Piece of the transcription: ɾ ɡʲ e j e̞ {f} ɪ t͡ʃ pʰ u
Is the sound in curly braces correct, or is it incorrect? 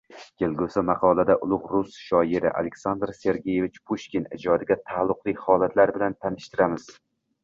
incorrect